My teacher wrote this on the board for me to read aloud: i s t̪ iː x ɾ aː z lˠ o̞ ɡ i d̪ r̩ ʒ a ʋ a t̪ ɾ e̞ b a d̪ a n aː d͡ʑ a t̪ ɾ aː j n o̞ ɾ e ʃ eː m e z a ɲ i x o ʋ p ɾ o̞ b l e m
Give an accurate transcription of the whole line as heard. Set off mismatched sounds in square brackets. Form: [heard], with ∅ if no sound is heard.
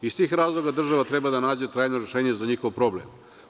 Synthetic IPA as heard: i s t̪ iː x ɾ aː z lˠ o̞ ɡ [a] d̪ r̩ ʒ a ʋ a t̪ ɾ e̞ b a d̪ a n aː d͡ʑ [e] t̪ ɾ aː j n o̞ ɾ e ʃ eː [ɲ] e z a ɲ i x o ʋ p ɾ o̞ b l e m